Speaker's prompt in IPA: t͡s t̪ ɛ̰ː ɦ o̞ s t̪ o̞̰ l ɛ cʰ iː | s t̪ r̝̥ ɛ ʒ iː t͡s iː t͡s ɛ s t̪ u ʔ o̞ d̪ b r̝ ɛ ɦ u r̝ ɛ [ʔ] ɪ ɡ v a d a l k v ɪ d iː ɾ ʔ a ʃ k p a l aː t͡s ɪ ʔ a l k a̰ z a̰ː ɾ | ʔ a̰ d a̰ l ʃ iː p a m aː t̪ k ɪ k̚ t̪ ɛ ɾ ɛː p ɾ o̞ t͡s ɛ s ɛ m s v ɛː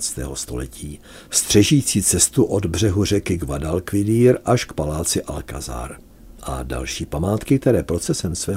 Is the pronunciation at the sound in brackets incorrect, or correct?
incorrect